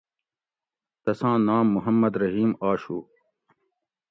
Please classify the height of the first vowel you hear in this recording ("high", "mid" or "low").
low